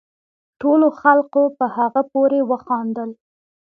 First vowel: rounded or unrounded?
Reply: rounded